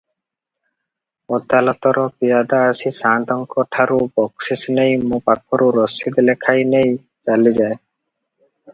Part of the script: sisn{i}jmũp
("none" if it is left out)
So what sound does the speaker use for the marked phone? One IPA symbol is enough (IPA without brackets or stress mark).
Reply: e